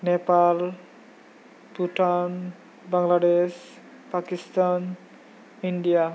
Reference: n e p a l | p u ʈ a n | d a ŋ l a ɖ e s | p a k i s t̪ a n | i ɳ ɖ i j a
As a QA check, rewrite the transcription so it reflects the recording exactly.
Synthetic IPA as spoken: n e p a l | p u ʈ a n | b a ŋ l a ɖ e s | p a k i s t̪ a n | i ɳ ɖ i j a